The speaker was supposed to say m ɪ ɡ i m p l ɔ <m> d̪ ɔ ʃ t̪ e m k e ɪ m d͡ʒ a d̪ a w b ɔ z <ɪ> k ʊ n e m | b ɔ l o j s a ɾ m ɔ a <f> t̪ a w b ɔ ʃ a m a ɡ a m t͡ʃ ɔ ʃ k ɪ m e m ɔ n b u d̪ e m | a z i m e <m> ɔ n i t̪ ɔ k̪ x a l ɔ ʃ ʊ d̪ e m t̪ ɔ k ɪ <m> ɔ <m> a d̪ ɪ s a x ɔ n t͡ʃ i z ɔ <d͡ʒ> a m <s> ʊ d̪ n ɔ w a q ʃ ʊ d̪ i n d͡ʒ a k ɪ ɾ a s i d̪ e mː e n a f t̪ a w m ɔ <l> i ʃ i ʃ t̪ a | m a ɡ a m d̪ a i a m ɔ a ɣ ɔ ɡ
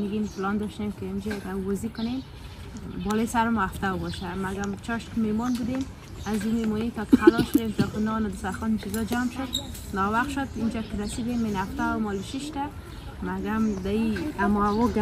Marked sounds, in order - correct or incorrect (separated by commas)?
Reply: incorrect, incorrect, correct, correct, incorrect, incorrect, correct, incorrect, correct